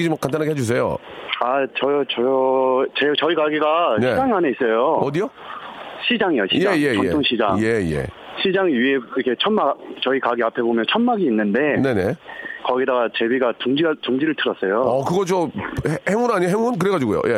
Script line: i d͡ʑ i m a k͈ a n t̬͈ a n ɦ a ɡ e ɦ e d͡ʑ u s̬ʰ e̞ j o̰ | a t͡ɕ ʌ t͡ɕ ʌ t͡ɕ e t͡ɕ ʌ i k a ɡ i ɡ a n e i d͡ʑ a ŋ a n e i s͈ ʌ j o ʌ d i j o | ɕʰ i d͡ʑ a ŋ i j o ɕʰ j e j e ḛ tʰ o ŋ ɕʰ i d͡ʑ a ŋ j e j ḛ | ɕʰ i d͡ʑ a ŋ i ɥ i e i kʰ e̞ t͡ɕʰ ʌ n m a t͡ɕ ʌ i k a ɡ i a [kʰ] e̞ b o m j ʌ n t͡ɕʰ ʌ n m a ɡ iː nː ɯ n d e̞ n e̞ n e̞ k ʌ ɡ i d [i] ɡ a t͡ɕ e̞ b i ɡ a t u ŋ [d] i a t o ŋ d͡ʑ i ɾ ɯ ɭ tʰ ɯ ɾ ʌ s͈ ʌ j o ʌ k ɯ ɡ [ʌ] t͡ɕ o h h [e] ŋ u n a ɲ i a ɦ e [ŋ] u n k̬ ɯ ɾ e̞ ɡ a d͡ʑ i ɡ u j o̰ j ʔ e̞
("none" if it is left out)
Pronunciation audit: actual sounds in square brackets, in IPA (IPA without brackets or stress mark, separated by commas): pʰ, a, d͡ʑ, ʌ, e, ŋ